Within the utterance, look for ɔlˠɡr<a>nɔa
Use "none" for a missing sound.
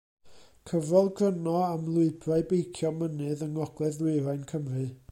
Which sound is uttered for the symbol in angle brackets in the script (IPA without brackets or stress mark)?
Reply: ə